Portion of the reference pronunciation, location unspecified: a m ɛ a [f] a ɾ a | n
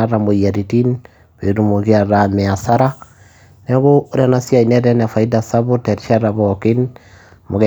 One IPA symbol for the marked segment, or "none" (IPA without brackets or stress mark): s